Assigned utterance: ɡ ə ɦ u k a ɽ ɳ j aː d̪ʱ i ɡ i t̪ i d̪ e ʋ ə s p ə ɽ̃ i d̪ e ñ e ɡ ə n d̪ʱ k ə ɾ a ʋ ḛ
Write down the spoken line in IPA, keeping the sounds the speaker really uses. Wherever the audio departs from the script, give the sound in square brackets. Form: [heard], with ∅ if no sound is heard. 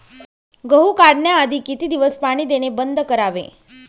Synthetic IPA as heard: ɡ ə ɦ u k a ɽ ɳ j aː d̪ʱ i [k] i t̪ i d̪ [i] ʋ ə s p [a] ɽ̃ i d̪ e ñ e [b] ə n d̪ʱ k ə ɾ a ʋ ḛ